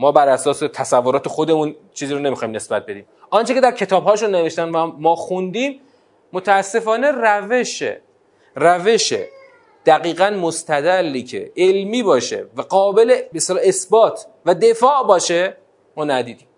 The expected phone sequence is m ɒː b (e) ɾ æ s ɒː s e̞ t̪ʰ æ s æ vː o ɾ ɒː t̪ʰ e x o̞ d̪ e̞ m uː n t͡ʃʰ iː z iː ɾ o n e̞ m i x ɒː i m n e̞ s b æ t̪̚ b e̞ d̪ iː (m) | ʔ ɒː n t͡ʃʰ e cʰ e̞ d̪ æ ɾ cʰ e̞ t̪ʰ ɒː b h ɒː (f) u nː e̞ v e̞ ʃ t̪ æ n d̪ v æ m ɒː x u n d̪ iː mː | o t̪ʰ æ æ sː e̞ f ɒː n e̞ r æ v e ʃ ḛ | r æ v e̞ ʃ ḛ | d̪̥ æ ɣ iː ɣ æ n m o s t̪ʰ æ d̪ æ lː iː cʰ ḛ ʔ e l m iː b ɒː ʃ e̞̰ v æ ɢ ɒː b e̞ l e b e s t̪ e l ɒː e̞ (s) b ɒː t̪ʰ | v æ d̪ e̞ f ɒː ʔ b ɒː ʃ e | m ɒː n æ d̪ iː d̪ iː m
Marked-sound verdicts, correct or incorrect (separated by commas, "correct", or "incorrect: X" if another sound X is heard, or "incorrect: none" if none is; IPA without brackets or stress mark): incorrect: æ, correct, incorrect: ʃ, correct